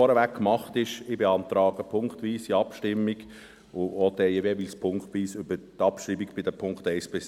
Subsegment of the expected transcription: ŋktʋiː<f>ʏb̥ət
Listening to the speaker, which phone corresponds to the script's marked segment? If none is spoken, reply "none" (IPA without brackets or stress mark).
s